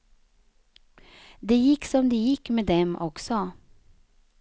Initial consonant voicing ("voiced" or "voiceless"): voiced